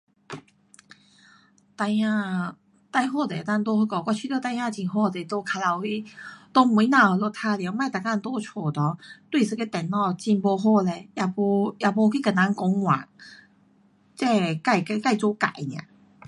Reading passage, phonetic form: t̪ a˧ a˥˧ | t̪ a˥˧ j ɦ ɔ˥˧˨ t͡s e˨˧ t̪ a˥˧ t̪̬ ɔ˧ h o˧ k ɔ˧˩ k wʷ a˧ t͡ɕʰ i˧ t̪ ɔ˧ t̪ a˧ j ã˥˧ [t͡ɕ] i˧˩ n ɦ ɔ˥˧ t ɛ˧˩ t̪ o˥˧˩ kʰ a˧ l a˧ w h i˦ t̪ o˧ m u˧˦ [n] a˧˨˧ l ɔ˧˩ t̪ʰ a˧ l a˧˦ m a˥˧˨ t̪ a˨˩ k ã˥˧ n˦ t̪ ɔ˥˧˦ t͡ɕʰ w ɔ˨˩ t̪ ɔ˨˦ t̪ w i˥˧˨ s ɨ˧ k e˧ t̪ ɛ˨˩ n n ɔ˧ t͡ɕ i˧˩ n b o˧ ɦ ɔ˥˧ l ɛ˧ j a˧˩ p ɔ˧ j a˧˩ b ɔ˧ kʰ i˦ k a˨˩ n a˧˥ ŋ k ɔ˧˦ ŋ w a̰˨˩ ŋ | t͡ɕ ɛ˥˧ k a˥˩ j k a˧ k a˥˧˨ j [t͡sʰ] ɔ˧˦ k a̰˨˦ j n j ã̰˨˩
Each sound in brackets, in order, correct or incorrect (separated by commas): correct, correct, incorrect